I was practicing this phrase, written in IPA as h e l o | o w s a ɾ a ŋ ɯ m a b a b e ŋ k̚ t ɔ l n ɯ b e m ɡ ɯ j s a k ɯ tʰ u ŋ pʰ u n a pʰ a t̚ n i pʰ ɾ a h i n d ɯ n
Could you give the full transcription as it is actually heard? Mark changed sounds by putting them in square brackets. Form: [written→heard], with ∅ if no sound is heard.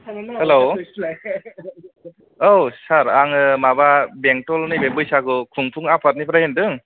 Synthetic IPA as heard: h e l o | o w s a ɾ a ŋ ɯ m a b a b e ŋ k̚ t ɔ l n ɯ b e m [ɡ→b] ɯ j s a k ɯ [tʰ→kʰ] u ŋ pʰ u [n→ŋ] a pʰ a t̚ n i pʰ ɾ a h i n d ɯ [n→ŋ]